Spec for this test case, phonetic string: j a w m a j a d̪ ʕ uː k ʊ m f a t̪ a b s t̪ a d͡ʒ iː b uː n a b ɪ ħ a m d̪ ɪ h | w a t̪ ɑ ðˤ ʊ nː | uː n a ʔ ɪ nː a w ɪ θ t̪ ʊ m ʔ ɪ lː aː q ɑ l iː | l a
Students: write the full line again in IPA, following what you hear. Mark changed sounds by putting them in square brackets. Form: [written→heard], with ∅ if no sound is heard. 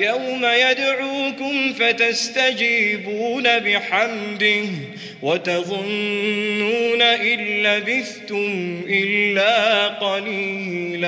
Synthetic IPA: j a w m a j a d̪ ʕ uː k ʊ m f a t̪ a [b→∅] s t̪ a d͡ʒ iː b uː n a b ɪ ħ a m d̪ ɪ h | w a t̪ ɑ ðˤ ʊ nː | uː n a ʔ ɪ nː a [w→b] ɪ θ t̪ ʊ m ʔ ɪ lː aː q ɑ l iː | l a